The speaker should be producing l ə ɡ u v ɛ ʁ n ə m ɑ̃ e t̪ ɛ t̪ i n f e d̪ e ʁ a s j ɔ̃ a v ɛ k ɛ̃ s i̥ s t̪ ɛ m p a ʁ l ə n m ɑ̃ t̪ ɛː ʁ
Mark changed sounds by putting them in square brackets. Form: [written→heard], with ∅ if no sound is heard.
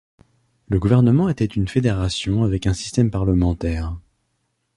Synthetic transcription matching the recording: l ə ɡ u v ɛ ʁ n ə m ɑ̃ e t̪ ɛ t̪ [i→y] n f e d̪ e ʁ a s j ɔ̃ a v ɛ k ɛ̃ s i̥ s t̪ ɛ m p a ʁ l ə [n→∅] m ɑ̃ t̪ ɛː ʁ